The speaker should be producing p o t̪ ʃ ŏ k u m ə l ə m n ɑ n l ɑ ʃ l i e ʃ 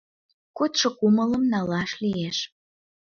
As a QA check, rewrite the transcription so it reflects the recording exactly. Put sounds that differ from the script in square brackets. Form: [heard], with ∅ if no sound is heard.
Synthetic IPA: [k] o t̪ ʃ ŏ k u m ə l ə m n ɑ [∅] l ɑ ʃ l i e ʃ